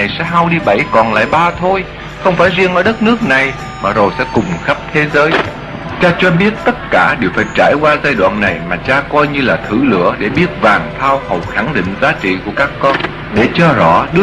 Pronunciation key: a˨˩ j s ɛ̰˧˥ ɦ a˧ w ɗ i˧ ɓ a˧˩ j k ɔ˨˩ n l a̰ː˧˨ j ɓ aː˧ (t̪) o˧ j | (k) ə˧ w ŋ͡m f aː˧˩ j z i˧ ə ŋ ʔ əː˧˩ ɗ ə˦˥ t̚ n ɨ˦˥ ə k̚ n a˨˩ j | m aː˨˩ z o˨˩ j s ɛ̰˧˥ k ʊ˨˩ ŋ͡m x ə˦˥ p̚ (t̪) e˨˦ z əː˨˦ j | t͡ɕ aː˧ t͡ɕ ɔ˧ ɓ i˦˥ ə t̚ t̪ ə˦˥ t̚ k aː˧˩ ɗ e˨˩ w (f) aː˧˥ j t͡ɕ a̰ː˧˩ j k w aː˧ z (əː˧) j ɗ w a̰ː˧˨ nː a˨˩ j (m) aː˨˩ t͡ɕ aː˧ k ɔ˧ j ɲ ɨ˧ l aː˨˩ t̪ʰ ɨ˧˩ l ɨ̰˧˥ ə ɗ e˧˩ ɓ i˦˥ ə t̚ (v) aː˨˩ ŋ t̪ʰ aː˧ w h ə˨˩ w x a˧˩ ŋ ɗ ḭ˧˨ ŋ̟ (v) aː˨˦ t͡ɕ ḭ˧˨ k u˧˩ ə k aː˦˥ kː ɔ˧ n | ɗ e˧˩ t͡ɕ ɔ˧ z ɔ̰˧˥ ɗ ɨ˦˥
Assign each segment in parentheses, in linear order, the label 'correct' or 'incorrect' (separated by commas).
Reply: incorrect, incorrect, incorrect, correct, incorrect, correct, correct, incorrect